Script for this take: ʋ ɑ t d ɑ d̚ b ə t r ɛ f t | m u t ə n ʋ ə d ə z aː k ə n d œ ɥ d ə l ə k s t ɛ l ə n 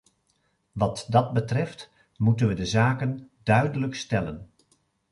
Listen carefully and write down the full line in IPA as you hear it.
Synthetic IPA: ʋ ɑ t d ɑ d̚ b ə t r ɛ f t | m u t ə n ʋ ə d ə z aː k ə n d œ ɥ d ə l ə k s t ɛ l ə n